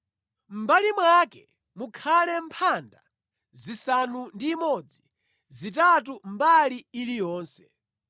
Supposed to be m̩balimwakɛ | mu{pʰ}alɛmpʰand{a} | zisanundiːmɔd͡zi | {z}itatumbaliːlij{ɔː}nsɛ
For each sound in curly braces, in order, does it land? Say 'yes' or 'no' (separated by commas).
no, yes, yes, yes